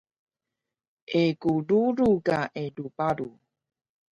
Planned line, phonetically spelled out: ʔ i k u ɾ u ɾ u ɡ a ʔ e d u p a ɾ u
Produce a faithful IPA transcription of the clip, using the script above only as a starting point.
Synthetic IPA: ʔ e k u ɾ u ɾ u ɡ a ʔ e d u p a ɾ u